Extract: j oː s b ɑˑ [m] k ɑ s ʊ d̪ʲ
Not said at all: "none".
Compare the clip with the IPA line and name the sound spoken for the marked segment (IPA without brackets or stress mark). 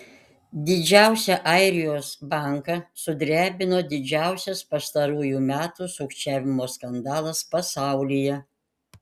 ŋ